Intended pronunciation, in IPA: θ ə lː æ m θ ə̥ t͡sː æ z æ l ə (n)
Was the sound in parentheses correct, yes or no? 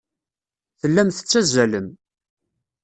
no